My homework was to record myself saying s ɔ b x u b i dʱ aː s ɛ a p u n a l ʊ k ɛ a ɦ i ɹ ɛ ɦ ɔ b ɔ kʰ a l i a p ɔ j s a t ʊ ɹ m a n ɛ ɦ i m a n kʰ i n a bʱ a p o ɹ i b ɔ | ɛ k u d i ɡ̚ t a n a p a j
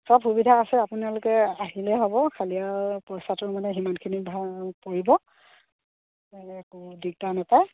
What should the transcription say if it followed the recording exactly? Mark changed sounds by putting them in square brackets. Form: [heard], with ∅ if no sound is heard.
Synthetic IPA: s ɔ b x u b i dʱ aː s ɛ a p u n a l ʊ k ɛ a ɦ i [l] ɛ ɦ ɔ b ɔ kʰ a l i a p ɔ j s a t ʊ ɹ m a n ɛ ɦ i m a n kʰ i n [i] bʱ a p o ɹ i b ɔ | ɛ k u d i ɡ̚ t a n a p a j